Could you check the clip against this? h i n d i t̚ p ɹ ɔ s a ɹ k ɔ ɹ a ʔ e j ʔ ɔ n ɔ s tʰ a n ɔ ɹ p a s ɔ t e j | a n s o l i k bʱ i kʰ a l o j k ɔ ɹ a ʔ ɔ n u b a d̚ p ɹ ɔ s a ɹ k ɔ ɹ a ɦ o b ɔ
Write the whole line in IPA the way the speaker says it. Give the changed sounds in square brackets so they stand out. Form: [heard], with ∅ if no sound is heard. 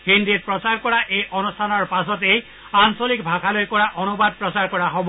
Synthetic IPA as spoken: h i n d i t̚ p ɹ ɔ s a ɹ k ɔ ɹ a ʔ e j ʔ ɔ n [u] s tʰ a n ɔ ɹ p a s ɔ t e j | a n s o l i k bʱ [a] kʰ a l o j k ɔ ɹ a ʔ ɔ n u b a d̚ p ɹ ɔ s a ɹ k ɔ ɹ a ɦ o b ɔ